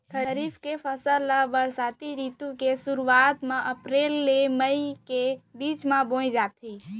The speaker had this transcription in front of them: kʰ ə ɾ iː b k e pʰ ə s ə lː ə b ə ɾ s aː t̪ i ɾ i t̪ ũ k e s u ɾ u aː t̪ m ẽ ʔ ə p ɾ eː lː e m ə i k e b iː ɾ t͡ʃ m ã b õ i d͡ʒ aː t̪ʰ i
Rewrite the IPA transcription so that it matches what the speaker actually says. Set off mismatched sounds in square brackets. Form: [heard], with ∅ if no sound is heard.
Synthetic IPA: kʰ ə ɾ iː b k e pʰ ə s ə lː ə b ə ɾ s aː t̪ i ɾ i t̪ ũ k e s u ɾ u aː t̪ m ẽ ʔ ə p ɾ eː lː e m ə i k e b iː [∅] t͡ʃ m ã b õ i d͡ʒ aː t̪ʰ i